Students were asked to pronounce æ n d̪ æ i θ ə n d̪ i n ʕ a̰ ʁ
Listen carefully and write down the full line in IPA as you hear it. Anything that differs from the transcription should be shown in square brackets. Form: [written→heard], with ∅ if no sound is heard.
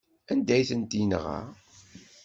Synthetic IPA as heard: æ n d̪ æ [i→j] θ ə n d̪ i n [ʕ→ʁ] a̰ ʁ